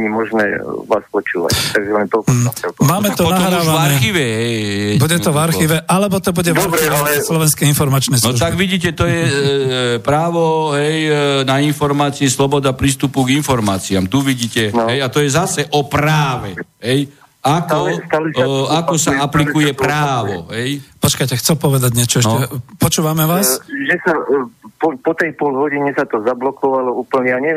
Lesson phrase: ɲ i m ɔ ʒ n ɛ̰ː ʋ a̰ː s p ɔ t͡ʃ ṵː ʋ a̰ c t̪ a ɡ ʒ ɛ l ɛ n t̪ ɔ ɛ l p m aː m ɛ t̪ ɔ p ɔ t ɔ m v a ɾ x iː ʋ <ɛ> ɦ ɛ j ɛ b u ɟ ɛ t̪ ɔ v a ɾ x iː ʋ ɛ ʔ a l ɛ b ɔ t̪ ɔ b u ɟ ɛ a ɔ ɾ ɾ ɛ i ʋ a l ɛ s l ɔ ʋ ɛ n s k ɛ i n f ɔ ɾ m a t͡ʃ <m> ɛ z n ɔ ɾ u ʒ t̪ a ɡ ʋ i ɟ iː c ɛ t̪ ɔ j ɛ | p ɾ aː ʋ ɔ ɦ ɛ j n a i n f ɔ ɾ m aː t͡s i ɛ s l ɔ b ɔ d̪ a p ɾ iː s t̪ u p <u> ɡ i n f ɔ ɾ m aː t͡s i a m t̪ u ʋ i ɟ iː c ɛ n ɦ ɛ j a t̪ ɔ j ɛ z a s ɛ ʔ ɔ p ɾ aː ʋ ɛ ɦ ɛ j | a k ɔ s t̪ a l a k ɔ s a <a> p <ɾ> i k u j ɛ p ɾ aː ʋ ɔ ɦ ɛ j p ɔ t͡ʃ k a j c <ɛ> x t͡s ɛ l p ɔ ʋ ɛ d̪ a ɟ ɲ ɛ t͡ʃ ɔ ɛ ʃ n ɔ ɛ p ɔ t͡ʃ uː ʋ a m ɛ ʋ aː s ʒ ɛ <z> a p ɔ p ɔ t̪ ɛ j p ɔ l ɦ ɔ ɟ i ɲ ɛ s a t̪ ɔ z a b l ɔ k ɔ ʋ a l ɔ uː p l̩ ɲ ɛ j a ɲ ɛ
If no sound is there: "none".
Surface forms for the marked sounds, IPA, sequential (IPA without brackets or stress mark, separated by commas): ɛ, n, u, a, l, ɛ, s